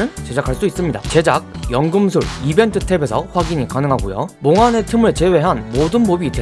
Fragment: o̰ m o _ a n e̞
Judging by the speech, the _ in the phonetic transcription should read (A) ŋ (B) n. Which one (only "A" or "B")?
A